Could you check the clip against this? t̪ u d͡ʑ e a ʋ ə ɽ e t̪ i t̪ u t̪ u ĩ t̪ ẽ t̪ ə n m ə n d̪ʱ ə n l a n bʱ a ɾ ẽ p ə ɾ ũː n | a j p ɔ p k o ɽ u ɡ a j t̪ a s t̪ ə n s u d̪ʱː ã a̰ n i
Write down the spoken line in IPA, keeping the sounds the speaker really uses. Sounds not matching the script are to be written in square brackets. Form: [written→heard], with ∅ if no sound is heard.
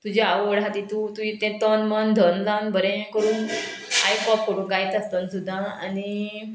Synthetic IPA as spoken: t̪ u d͡ʑ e a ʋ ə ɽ [e→a] t̪ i t̪ u t̪ u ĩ t̪ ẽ t̪ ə n m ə n d̪ʱ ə n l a n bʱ [a→ə] ɾ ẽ [p→k] ə ɾ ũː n | a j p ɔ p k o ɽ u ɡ a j t̪ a s t̪ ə n s u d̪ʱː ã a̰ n i